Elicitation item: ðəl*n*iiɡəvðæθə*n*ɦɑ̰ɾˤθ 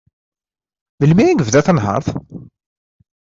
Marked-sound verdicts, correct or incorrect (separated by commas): incorrect, correct